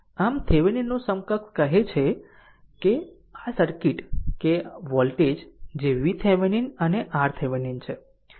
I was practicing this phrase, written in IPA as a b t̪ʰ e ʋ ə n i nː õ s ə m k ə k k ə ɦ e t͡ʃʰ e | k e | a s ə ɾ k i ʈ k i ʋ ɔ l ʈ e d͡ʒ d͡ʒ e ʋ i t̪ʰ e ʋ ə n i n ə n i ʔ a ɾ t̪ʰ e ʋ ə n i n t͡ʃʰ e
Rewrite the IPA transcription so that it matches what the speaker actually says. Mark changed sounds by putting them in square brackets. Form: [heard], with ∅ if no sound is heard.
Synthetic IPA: a [m] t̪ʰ e ʋ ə n i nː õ s ə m k ə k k ə ɦ e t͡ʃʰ e | k e | a s ə ɾ k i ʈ k [e] ʋ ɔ l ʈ e d͡ʒ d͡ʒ e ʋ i t̪ʰ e ʋ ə n i n ə n [e] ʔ a ɾ t̪ʰ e ʋ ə n i n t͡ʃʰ e